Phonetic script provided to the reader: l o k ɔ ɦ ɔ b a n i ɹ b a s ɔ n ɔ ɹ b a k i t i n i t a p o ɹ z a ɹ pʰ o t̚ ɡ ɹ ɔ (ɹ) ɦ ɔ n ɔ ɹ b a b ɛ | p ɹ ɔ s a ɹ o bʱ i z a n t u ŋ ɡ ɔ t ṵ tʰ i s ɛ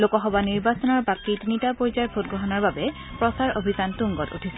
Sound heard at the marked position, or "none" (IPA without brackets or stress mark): none